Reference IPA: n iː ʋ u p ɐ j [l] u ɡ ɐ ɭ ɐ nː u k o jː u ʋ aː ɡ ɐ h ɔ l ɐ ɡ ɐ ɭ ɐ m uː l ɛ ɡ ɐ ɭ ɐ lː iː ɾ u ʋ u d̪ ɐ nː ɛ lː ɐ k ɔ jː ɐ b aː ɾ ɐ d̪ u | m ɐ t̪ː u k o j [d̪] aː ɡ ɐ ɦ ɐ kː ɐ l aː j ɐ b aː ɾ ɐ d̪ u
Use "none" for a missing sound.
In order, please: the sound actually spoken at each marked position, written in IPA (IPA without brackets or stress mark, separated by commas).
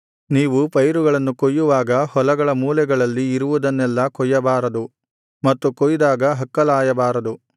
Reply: ɾ, d̪